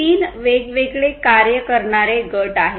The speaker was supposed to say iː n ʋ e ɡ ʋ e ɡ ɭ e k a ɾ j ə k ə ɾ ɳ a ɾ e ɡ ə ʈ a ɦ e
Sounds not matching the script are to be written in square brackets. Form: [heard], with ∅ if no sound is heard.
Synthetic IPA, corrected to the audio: iː n ʋ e ɡ ʋ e ɡ ɭ e k a ɾ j ə k ə ɾ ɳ a ɾ e ɡ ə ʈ a ɦ e